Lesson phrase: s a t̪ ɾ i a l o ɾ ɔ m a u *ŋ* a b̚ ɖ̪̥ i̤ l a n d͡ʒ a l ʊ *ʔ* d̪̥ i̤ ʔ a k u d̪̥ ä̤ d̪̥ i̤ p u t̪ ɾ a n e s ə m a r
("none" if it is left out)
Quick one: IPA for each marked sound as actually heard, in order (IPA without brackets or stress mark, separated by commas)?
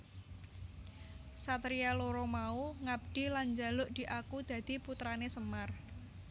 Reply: ŋ, ʔ